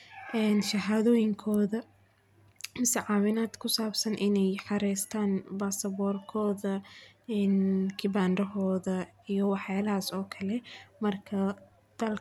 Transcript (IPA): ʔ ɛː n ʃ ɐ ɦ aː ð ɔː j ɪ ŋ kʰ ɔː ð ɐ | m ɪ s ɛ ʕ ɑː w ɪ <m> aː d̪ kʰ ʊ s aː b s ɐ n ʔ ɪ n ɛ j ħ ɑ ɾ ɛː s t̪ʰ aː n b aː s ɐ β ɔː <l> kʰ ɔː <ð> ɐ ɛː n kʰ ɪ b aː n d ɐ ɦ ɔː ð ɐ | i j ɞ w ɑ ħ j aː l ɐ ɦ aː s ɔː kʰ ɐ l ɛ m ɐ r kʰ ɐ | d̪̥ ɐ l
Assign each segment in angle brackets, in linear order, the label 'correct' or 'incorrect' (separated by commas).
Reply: incorrect, incorrect, correct